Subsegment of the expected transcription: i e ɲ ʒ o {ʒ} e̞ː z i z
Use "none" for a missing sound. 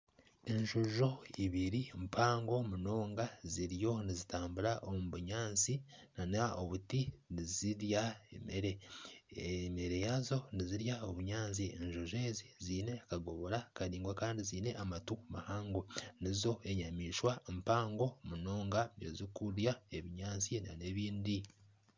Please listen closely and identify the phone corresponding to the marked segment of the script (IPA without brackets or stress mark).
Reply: ʒ